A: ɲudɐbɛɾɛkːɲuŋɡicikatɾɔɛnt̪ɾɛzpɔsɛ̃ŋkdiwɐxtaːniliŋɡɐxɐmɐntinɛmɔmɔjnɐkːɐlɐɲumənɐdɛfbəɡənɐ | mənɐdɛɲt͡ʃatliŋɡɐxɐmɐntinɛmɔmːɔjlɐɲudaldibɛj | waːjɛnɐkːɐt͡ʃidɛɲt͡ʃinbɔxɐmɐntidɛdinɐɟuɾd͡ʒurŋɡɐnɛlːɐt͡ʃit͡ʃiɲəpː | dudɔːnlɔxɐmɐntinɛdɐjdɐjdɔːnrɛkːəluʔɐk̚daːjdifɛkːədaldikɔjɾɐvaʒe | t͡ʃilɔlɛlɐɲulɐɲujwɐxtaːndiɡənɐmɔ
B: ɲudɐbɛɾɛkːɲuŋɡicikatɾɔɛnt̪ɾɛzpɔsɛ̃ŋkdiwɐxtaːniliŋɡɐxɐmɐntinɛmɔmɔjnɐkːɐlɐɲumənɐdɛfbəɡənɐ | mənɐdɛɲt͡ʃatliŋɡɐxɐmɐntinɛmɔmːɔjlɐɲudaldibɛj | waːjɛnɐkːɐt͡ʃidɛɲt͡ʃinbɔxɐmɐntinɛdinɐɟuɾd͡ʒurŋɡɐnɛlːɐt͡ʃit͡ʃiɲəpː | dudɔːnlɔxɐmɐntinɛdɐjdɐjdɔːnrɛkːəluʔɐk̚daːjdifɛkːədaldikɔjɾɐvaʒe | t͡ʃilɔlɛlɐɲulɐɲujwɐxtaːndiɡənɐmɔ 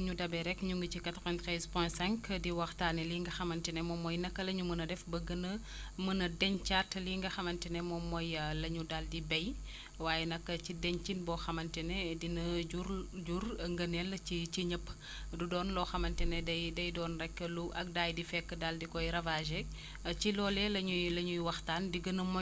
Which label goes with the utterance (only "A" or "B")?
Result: B